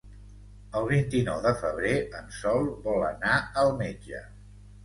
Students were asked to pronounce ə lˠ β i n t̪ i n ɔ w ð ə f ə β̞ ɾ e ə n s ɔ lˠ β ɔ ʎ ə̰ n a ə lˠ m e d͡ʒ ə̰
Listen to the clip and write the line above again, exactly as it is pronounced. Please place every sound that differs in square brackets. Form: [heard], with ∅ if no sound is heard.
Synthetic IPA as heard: ə lˠ β i n t̪ i n ɔ w ð ə f ə β̞ ɾ e ə n s ɔ lˠ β ɔ [l] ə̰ n a ə lˠ m e d͡ʒ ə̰